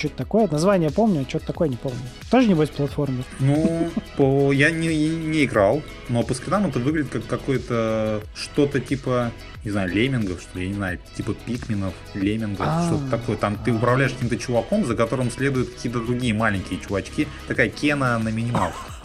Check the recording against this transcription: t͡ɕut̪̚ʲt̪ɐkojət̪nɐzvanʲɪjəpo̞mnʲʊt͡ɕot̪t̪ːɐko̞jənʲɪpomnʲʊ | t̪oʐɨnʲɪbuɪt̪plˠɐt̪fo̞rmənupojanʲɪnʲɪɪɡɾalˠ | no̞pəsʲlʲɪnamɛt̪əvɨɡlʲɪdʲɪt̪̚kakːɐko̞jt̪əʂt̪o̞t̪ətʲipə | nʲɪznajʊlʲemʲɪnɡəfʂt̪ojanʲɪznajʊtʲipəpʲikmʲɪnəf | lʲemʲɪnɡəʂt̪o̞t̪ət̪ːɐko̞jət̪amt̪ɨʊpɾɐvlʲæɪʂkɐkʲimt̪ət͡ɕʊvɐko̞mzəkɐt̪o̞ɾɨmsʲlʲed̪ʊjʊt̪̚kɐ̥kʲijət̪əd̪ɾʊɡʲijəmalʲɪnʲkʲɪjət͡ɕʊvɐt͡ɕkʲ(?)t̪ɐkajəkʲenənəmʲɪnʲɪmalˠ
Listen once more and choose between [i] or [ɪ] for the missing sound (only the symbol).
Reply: i